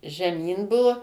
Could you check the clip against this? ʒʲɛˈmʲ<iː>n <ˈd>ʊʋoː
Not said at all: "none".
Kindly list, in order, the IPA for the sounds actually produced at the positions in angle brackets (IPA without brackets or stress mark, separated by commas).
iː, b